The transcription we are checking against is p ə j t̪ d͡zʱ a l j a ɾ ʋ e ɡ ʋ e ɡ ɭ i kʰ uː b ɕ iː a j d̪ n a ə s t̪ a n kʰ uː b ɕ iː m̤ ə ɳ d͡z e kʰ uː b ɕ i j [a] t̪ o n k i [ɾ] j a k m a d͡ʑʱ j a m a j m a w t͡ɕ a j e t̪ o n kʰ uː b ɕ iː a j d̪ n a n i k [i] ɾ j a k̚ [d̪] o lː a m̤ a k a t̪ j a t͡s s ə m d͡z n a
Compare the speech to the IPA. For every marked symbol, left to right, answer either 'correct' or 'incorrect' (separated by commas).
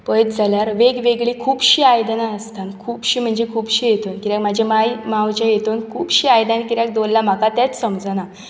incorrect, correct, correct, correct